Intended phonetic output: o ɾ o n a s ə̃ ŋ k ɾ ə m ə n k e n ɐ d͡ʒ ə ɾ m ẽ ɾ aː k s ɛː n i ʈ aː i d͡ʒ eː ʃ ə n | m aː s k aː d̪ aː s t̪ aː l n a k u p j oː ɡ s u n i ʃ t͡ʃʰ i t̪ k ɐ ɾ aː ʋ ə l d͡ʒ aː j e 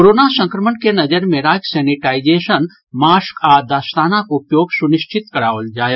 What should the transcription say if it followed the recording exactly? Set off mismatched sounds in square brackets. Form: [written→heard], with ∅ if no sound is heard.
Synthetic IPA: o ɾ o n a s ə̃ ŋ k ɾ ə m ə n k e n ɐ d͡ʒ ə ɾ m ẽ ɾ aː k s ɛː n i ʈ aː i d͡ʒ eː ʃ ə n | m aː s k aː d̪ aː s t̪ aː [l→∅] n a k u p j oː ɡ s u n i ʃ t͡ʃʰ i t̪ k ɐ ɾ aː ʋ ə l d͡ʒ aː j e